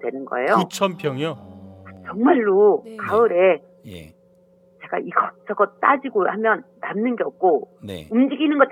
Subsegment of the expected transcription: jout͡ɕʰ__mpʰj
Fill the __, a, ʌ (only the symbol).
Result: ʌ